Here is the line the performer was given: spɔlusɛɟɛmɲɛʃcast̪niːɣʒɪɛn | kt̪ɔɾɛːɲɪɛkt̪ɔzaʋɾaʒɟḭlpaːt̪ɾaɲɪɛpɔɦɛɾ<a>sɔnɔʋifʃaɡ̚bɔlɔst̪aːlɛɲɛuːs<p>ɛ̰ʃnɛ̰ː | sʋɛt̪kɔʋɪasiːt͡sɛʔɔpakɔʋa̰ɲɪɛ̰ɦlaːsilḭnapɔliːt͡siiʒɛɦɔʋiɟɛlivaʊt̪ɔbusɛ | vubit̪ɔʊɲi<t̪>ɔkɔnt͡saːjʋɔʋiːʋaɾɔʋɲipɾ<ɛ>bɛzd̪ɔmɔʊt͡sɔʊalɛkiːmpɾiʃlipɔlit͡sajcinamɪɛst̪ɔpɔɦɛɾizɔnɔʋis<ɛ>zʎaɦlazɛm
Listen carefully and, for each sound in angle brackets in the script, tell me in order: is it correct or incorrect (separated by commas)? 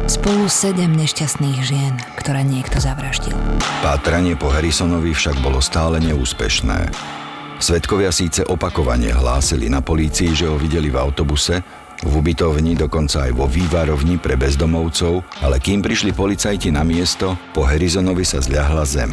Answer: incorrect, correct, incorrect, correct, incorrect